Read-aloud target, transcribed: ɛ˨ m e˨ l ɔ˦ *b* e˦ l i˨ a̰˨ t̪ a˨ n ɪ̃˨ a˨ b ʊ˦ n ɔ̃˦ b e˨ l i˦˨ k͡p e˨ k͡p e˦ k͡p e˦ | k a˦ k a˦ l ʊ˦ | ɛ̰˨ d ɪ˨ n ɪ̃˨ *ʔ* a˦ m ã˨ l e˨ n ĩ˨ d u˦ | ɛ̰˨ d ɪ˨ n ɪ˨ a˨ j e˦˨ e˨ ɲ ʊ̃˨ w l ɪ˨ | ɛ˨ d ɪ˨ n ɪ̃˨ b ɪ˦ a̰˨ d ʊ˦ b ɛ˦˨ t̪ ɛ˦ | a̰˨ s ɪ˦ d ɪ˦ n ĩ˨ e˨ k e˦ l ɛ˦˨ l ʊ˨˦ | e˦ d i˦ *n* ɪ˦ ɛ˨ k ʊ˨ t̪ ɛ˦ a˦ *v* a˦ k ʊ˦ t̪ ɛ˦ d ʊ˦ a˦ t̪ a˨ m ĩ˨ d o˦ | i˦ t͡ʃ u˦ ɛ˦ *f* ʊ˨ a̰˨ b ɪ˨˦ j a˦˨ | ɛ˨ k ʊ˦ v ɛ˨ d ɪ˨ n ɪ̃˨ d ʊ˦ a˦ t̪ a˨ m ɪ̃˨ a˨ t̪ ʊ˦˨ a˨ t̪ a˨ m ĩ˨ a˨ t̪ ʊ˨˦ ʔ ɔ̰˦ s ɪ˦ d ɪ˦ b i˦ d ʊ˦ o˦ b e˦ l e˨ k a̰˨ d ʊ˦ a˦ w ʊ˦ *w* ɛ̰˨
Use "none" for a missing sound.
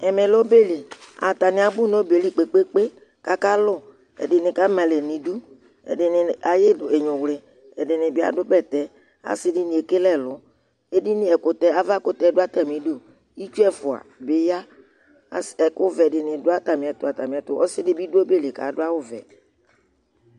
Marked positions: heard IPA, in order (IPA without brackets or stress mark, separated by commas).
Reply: b, k, n, v, f, v